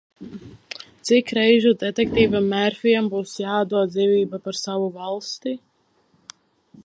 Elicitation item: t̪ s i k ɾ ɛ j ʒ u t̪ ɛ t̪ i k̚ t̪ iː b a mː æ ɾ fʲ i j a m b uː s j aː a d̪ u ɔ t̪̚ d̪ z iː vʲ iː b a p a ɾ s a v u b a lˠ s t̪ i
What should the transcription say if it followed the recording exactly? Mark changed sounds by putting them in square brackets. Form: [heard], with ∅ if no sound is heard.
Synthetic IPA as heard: t̪ s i k ɾ ɛ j ʒ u [d̪] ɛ t̪ [ɛ] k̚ t̪ iː [v] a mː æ ɾ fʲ i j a m b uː s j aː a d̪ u ɔ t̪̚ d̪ z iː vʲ iː b a p a ɾ s a v u [v] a lˠ s t̪ i